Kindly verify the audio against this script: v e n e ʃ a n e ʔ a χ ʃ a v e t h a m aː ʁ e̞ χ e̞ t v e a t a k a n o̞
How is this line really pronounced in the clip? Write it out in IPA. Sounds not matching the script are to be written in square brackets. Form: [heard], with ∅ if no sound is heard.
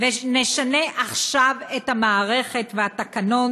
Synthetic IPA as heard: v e n e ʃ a n e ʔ a χ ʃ a v e t h a m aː ʁ e̞ χ e̞ t v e a t a k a n o̞

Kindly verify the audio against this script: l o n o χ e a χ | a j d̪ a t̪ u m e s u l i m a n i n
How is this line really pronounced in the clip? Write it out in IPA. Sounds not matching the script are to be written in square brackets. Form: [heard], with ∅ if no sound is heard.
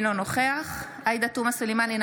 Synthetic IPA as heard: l o n o χ e a χ | a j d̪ a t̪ u m [a] s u l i m a n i n

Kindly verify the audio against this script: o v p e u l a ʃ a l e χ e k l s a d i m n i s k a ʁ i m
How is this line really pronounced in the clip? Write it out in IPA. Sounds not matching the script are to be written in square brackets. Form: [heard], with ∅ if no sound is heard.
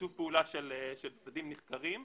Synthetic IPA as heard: [u] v p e u l a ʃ [e] l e [ʃ] e [∅] l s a d i m n i [χ] k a ʁ i m

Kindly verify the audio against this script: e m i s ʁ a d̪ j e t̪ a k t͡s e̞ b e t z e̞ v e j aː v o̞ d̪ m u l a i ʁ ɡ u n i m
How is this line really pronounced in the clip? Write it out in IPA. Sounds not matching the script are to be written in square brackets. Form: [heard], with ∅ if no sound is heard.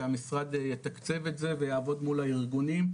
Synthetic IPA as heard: [a] m i s ʁ a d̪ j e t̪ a k t͡s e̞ [v] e t z e̞ v e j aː v o̞ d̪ m u l a i ʁ ɡ u n i m

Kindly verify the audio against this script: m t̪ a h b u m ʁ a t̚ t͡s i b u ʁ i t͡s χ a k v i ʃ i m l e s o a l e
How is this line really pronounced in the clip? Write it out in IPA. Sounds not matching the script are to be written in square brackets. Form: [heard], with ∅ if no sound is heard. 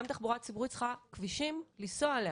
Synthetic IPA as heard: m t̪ a [χ] b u [∅] ʁ a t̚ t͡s i b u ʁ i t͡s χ a k v i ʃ i m l [i] s o a l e

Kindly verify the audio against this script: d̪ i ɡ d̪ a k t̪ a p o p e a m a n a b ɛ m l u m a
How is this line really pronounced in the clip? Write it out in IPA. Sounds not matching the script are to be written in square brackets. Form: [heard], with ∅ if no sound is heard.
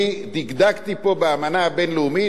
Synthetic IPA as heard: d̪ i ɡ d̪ a k t̪ [i] p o [b] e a m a n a b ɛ [n] l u m [i]

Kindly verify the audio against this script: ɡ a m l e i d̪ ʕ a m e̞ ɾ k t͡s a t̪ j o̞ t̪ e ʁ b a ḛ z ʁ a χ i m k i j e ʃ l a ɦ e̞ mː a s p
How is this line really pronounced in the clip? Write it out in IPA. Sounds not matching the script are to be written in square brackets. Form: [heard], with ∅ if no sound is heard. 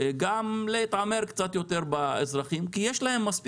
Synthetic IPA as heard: ɡ a m l e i [t̪] ʕ a m e̞ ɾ k t͡s a t̪ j o̞ t̪ e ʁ b a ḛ z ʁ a χ i m k i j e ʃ l a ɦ e̞ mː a s p

